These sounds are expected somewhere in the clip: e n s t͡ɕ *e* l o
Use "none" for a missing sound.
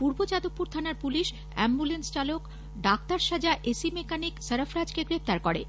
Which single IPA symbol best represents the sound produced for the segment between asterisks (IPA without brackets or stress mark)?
a